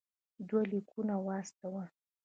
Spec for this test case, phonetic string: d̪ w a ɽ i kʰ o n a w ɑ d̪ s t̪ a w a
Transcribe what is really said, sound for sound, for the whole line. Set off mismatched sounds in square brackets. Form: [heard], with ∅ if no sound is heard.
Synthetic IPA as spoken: d̪ w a [l] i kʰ [u] n a w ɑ [∅] s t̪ a w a